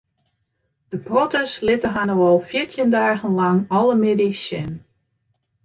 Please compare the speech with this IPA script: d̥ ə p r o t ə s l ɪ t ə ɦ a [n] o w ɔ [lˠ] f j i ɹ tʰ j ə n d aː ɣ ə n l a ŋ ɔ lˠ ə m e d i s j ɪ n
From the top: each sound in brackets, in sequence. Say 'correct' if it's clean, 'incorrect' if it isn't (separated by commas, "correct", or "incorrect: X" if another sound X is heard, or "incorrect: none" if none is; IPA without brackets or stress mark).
correct, correct